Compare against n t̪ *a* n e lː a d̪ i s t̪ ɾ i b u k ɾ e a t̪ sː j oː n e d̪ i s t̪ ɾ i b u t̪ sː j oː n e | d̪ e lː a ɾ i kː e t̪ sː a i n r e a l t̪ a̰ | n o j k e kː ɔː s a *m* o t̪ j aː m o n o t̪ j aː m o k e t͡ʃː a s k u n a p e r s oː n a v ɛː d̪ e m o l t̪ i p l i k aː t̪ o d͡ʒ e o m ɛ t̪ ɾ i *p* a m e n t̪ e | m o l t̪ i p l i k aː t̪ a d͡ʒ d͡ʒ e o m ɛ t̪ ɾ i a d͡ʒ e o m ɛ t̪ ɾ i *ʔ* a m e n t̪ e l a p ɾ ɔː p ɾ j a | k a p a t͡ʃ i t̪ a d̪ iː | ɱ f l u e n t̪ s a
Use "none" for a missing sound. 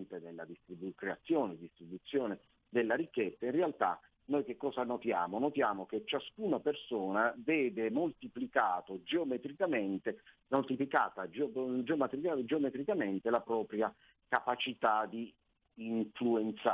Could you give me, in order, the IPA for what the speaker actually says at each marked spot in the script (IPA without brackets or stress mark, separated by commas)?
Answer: e, n, k, k